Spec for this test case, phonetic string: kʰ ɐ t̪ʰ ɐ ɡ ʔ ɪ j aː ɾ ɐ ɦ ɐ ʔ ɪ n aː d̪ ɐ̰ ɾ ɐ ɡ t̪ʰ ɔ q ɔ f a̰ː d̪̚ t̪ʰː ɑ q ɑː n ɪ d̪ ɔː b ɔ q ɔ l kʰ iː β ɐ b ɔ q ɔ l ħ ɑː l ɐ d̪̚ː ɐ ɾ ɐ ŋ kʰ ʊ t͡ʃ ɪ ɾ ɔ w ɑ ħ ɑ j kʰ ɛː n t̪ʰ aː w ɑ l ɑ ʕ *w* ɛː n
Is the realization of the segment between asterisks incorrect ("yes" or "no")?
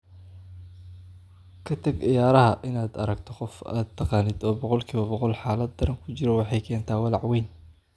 no